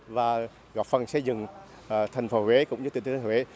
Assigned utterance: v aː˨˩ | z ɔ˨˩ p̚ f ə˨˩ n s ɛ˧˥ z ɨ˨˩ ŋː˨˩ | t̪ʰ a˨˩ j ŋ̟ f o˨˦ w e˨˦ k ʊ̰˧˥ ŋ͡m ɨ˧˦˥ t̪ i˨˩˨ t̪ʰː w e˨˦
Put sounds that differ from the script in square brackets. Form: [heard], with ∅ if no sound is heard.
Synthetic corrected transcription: v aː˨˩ | [ɣ] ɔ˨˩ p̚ f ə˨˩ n s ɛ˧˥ z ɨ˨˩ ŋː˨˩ | t̪ʰ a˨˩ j ŋ̟ f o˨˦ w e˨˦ k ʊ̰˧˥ ŋ͡m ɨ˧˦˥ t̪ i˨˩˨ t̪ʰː w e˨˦